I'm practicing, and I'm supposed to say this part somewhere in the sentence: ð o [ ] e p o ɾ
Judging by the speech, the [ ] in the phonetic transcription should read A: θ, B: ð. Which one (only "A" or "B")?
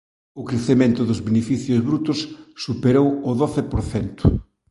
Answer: A